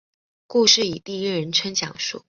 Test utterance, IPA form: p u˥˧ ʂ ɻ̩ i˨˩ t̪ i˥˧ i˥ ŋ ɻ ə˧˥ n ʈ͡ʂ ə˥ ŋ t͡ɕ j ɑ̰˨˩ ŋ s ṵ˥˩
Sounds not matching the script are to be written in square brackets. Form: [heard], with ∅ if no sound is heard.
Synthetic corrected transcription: [k] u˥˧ ʂ ɻ̩ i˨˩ t̪ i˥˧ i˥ [∅] ɻ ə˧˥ n [ʈ͡ʂʰ] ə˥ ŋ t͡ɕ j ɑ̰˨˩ ŋ [ʂ] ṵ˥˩

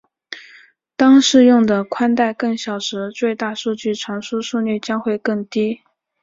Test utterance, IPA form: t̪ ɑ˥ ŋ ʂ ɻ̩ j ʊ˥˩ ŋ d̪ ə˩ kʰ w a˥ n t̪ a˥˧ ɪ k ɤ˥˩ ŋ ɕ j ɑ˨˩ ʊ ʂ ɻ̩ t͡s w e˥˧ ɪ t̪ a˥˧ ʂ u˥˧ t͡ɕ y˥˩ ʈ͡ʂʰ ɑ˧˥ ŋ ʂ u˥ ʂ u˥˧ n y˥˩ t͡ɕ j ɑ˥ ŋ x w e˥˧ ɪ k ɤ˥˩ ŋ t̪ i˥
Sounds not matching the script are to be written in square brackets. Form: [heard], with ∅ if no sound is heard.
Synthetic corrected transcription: t̪ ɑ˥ ŋ ʂ ɻ̩ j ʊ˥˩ ŋ d̪ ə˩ kʰ w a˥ n t̪ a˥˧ ɪ k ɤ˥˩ ŋ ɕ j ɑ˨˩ ʊ ʂ ɻ̩ t͡s w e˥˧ ɪ t̪ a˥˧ ʂ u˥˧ t͡ɕ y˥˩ ʈ͡ʂʰ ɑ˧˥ ŋ ʂ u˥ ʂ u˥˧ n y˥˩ t͡ɕ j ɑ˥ ŋ x w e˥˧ ɪ k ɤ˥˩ ŋ t̪ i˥

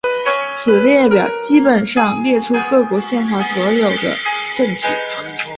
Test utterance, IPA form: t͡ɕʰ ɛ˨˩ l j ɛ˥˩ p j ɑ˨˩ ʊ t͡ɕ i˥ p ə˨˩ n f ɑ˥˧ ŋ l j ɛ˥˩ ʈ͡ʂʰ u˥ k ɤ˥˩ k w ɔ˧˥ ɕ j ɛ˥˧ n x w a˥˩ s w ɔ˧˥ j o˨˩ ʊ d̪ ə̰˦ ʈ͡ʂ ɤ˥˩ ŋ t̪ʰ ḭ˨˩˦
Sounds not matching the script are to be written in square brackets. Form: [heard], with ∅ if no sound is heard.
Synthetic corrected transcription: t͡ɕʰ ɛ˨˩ l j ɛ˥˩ p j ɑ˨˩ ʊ t͡ɕ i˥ p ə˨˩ n [ʂ] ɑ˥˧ ŋ l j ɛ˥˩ ʈ͡ʂʰ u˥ k ɤ˥˩ k w ɔ˧˥ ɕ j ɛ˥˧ n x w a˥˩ s w ɔ˧˥ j o˨˩ ʊ d̪ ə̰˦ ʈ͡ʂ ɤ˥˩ ŋ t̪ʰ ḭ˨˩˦

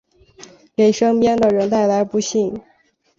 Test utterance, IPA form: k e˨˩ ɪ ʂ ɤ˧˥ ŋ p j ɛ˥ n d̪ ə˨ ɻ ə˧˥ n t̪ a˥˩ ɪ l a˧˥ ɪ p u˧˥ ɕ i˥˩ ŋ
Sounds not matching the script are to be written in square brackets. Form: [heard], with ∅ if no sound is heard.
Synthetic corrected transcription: k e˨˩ ɪ ʂ [ɤ˥] ŋ p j ɛ˥ n d̪ ə˨ ɻ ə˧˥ n t̪ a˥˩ ɪ l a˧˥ ɪ p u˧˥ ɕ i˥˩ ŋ

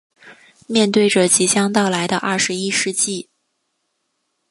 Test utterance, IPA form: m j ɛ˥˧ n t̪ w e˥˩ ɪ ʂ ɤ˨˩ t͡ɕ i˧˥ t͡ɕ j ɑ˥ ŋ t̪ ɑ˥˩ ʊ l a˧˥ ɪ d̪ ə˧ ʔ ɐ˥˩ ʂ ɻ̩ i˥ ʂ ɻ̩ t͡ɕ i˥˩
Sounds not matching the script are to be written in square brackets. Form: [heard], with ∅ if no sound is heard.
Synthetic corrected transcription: m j ɛ˥˧ n t̪ w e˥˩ ɪ [ʈ͡ʂ] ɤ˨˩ t͡ɕ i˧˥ t͡ɕ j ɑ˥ ŋ t̪ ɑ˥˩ ʊ l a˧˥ ɪ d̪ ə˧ ʔ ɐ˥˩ ʂ ɻ̩ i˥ ʂ ɻ̩ t͡ɕ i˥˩

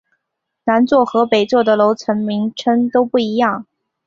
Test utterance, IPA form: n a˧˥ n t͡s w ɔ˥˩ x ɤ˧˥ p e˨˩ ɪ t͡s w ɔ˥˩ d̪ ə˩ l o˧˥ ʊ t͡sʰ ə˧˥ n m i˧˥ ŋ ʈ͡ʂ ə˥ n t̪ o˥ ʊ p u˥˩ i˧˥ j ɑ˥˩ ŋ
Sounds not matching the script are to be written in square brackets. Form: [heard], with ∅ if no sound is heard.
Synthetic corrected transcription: n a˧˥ n t͡s w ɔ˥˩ x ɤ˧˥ p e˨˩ ɪ t͡s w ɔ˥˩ d̪ ə˩ l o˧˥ ʊ t͡sʰ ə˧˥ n m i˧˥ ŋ [ʈ͡ʂʰ] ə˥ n t̪ o˥ ʊ p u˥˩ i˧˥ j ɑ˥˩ ŋ

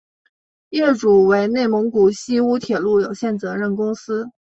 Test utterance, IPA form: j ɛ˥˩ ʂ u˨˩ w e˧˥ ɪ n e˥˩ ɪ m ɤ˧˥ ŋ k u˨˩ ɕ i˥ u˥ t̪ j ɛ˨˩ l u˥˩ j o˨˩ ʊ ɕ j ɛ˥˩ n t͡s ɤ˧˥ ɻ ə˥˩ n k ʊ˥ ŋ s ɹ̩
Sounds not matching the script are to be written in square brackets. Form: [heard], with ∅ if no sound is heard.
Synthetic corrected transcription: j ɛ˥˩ [ʈ͡ʂ] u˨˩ w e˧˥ ɪ n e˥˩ ɪ m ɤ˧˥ ŋ k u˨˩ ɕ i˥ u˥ [t̪ʰ] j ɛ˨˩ l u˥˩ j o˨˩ ʊ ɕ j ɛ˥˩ n t͡s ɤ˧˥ ɻ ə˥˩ n k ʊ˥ ŋ s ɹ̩

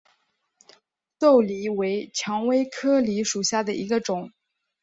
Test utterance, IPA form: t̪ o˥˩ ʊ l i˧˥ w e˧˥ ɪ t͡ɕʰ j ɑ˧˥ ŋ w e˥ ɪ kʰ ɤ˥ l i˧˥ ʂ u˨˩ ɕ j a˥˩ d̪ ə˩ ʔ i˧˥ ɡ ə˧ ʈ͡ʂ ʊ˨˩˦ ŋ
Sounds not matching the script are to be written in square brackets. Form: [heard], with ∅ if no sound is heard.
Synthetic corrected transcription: t̪ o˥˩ ʊ l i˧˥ w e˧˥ ɪ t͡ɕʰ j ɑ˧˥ ŋ w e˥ ɪ kʰ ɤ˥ l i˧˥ ʂ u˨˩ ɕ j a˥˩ d̪ ə˩ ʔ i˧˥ ɡ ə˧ ʈ͡ʂ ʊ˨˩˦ ŋ

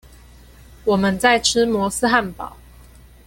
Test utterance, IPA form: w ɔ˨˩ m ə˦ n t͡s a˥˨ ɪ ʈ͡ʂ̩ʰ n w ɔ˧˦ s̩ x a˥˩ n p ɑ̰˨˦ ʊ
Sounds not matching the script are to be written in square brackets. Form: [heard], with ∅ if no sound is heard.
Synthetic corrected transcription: w ɔ˨˩ m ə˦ n t͡s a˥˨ ɪ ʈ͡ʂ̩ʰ [m] w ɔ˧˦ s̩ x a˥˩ n p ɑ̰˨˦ ʊ

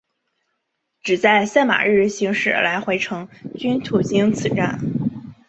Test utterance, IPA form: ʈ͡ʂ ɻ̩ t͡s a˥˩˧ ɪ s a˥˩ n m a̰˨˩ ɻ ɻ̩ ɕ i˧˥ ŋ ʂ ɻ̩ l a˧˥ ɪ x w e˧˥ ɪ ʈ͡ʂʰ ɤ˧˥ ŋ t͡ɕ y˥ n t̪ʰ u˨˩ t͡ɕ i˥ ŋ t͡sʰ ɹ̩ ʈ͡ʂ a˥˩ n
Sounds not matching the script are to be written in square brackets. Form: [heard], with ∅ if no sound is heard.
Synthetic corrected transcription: ʈ͡ʂ ɻ̩ t͡s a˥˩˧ ɪ s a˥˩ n m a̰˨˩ ɻ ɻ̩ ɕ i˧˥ ŋ ʂ ɻ̩ l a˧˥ ɪ x w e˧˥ ɪ ʈ͡ʂʰ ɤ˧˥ ŋ t͡ɕ y˥ n t̪ʰ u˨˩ t͡ɕ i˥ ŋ t͡sʰ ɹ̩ ʈ͡ʂ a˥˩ n

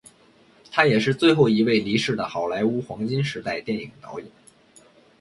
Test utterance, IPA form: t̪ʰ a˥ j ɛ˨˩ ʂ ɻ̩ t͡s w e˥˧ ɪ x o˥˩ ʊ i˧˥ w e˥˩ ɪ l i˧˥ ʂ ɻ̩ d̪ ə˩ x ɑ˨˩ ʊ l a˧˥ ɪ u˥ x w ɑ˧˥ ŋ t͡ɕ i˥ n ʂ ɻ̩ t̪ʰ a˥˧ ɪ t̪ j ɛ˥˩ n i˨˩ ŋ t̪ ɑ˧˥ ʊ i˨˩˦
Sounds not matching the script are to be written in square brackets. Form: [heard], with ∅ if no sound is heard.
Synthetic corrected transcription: t̪ʰ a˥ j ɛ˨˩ ʂ ɻ̩ t͡s w e˥˧ ɪ x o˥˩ ʊ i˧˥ w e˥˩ ɪ l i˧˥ ʂ ɻ̩ d̪ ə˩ x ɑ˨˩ ʊ l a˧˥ ɪ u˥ x w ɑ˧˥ ŋ t͡ɕ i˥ n ʂ ɻ̩ [t̪] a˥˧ ɪ t̪ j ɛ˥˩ n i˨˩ ŋ t̪ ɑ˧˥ ʊ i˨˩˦

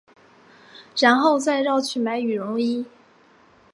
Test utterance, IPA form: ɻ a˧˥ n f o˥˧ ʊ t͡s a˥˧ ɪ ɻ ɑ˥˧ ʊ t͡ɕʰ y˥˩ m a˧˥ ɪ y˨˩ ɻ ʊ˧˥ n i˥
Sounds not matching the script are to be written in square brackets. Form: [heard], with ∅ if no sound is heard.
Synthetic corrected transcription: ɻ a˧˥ n [x] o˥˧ ʊ t͡s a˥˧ ɪ ɻ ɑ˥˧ ʊ t͡ɕʰ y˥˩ m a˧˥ ɪ y˨˩ ɻ ʊ˧˥ [ŋ] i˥

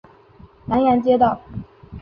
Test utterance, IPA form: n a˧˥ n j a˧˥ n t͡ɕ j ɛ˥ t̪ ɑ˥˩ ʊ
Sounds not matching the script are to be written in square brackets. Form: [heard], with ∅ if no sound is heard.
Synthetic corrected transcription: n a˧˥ n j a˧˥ n t͡ɕ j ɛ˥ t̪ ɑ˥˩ ʊ

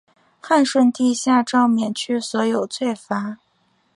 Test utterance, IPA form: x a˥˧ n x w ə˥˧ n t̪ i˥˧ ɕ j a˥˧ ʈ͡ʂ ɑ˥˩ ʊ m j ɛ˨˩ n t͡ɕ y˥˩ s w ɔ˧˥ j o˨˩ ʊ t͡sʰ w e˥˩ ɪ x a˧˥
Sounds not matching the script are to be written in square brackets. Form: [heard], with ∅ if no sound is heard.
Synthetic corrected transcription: x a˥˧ n [ʂ] w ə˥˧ n t̪ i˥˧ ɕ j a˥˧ ʈ͡ʂ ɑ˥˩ ʊ m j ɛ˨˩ n [t͡ɕʰ] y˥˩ s w ɔ˧˥ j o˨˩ ʊ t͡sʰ w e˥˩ ɪ [f] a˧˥

